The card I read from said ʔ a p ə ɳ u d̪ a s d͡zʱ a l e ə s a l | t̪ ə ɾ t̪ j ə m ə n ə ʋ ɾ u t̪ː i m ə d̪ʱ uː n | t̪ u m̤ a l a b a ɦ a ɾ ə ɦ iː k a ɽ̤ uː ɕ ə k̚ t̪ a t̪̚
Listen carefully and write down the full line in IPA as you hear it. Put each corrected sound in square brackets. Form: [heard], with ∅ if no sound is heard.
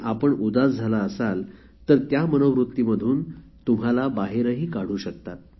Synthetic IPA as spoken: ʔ a p ə ɳ u d̪ a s d͡zʱ a l [a] ə s a l | t̪ ə ɾ t̪ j [a] m ə n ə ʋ ɾ u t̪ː i m ə d̪ʱ uː n | t̪ u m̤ a l a b a ɦ [e] ɾ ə ɦ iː k a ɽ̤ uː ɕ ə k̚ t̪ a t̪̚